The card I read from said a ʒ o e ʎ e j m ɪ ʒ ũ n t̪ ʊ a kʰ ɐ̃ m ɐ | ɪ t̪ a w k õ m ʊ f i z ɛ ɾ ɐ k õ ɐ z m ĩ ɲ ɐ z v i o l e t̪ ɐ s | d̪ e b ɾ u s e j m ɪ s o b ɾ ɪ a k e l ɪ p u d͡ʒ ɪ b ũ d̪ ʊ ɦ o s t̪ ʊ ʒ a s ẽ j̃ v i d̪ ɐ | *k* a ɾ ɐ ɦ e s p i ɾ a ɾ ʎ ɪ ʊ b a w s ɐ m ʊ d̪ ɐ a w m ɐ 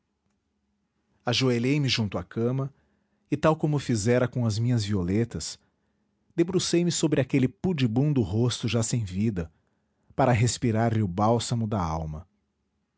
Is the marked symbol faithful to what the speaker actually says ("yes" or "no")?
no